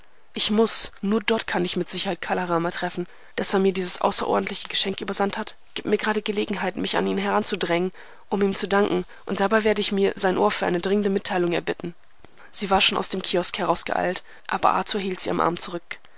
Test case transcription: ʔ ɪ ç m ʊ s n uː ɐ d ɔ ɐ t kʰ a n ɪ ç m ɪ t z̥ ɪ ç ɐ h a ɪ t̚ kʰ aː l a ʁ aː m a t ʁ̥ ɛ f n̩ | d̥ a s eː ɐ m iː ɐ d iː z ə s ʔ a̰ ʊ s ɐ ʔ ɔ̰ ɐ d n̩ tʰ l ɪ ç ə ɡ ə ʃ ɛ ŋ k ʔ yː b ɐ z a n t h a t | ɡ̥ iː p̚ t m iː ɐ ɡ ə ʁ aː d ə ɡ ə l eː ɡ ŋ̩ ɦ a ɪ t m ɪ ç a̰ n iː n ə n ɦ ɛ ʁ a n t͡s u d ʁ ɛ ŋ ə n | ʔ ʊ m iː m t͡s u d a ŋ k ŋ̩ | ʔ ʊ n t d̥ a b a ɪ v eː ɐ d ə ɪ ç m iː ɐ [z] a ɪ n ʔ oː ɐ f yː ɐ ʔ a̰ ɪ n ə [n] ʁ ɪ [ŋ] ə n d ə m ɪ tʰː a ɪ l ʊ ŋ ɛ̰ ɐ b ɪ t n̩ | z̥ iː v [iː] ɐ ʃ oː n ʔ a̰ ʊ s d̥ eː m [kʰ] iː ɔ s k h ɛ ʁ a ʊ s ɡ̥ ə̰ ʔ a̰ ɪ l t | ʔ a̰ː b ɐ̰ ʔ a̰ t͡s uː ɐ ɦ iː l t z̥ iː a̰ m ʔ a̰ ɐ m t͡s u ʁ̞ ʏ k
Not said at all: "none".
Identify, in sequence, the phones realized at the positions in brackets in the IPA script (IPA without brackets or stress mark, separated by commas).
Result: z, d, ŋ, aː, kʰ